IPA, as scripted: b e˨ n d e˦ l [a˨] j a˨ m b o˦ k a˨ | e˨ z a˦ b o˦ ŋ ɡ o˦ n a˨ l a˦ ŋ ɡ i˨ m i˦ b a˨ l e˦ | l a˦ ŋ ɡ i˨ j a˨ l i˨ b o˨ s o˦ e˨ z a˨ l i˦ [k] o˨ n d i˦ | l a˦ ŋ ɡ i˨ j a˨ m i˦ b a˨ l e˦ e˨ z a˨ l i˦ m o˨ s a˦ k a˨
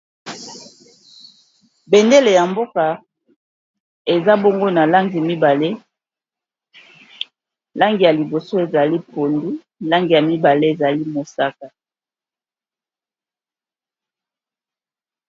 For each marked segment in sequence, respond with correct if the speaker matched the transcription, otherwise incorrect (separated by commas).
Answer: incorrect, incorrect